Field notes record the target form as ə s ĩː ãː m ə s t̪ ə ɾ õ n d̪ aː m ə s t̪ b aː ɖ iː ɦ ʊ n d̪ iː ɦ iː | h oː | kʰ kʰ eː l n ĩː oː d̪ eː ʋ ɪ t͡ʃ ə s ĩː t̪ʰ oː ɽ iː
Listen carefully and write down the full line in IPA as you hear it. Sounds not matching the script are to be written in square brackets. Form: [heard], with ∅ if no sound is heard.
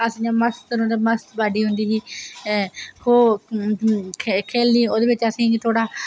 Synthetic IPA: ə s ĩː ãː m ə s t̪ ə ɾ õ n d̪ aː m ə s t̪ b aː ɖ iː ɦ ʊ n d̪ iː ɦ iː | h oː | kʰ kʰ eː l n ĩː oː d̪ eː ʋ ɪ t͡ʃ ə s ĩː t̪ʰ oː ɽ [aː]

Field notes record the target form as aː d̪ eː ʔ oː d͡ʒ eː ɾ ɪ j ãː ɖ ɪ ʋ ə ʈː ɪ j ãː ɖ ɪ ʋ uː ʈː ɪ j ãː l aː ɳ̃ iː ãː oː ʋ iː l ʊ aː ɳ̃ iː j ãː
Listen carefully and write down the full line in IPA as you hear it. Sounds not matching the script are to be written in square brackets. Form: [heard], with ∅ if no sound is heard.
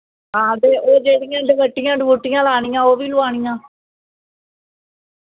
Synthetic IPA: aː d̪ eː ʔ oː d͡ʒ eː [ɽ] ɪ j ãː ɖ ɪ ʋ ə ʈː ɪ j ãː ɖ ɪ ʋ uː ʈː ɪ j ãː l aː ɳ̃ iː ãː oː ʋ iː l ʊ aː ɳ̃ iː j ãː

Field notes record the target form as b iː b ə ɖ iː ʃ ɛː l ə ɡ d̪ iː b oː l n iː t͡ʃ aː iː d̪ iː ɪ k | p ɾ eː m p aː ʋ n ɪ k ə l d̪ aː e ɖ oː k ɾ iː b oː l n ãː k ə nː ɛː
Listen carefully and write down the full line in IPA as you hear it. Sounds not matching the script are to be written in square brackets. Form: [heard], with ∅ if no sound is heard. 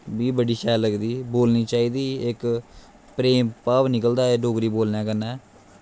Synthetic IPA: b iː b ə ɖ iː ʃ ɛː l ə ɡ d̪ iː b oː l n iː t͡ʃ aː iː d̪ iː ɪ k | p ɾ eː m p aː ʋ n ɪ k ə l d̪ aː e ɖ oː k ɾ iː b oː l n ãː k ə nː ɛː

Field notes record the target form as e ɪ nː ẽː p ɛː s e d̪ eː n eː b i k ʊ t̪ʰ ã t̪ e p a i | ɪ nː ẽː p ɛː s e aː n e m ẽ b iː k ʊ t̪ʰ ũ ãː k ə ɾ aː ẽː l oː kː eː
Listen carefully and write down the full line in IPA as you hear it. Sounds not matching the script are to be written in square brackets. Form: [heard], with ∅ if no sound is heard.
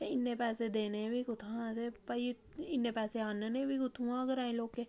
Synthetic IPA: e ɪ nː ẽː p ɛː s e d̪ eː n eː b i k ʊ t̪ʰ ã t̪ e p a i | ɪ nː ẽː p ɛː s e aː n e [n] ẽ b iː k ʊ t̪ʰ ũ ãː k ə ɾ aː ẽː l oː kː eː

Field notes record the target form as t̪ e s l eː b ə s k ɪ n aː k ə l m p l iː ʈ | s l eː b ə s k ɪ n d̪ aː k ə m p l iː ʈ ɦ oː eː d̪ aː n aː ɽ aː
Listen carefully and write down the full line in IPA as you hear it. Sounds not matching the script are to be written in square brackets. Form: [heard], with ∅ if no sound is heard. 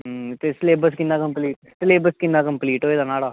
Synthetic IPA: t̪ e s l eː b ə s k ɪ n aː k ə [∅] m p l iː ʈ | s l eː b ə s k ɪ n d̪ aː k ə m p l iː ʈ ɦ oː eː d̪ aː n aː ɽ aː

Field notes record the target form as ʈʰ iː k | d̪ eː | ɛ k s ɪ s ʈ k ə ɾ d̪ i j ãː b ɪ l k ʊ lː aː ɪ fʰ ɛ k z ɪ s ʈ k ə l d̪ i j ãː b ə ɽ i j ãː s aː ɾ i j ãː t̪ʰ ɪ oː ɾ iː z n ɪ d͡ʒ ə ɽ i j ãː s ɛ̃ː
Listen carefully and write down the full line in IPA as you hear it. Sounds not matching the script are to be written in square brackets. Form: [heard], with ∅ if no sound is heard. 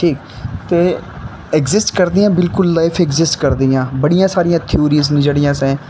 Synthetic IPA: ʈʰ iː k | [t̪] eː | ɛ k [z] ɪ s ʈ k ə ɾ d̪ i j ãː b ɪ l k ʊ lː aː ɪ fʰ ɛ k z ɪ s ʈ k ə [ɾ] d̪ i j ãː b ə ɽ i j ãː s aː ɾ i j ãː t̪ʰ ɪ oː ɾ iː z n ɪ d͡ʒ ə ɽ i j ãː s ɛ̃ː

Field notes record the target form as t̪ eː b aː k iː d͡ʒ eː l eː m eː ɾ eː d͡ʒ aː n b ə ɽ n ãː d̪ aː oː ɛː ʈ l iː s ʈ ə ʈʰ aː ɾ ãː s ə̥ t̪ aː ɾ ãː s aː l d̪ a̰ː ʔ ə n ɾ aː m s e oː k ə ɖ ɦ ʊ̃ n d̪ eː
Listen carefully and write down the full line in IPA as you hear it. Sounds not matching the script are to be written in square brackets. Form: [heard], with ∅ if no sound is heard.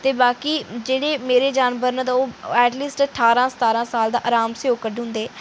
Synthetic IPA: t̪ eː b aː k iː d͡ʒ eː [ɽ] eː m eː ɾ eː d͡ʒ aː n b ə [ɾ] n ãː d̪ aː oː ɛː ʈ l iː s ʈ ə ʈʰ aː ɾ ãː s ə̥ t̪ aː ɾ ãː s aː l d̪ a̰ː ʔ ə [∅] ɾ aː m s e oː k ə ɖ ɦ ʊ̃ n d̪ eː

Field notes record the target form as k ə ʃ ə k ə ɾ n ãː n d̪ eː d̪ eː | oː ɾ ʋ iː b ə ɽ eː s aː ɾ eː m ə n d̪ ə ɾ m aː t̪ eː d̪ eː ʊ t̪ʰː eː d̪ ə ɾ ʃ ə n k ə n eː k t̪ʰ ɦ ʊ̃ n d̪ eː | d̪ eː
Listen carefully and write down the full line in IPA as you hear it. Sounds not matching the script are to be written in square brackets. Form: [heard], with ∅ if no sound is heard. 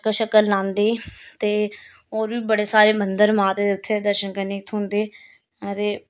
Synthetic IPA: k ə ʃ ə k ə [l] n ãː n d̪ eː [t̪] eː | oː ɾ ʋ iː b ə ɽ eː s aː ɾ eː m ə n d̪ ə ɾ m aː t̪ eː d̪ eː ʊ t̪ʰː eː d̪ ə ɾ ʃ ə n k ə n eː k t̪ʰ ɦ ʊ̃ n d̪ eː | [t̪] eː

